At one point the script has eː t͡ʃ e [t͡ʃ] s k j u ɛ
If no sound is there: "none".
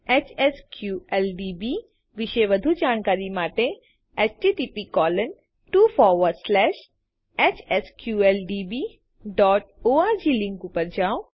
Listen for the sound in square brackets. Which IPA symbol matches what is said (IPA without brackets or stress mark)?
none